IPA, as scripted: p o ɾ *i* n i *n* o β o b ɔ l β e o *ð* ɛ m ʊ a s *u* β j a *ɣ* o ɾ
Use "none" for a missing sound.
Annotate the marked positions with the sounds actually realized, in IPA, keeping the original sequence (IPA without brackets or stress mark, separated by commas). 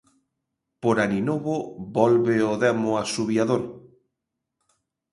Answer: a, n, ð, u, ð